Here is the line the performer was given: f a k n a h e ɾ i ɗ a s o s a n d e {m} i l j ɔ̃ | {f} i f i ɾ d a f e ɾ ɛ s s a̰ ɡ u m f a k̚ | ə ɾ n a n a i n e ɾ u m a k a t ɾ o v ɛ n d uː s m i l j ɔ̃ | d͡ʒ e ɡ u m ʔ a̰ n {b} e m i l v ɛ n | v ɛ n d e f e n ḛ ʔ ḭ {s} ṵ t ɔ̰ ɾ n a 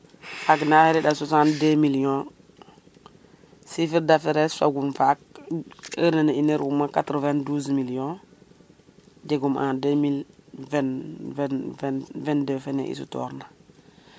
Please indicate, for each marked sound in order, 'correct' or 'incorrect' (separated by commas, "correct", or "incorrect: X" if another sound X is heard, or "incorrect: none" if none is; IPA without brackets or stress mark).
correct, incorrect: s, incorrect: d, correct